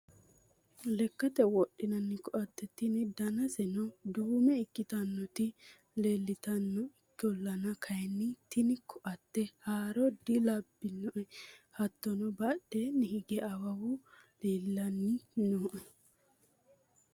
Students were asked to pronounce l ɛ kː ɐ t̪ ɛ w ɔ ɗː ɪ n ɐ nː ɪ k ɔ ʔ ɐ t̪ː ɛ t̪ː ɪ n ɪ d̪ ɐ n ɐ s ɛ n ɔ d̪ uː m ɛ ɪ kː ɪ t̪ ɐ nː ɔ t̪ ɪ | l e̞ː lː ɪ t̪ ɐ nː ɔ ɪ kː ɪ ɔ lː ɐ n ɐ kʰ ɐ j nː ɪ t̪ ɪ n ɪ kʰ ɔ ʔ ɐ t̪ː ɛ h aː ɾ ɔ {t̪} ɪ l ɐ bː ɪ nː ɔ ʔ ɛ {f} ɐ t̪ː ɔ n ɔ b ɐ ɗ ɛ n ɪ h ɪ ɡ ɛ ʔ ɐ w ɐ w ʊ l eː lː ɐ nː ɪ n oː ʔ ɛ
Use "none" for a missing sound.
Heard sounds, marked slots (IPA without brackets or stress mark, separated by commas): d̪, h